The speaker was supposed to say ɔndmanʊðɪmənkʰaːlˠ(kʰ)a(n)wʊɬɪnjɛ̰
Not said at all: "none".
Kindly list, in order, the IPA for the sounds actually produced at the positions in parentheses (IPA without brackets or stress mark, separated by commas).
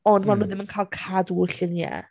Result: kʰ, d